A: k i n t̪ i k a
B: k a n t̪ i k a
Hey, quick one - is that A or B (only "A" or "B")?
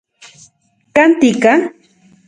B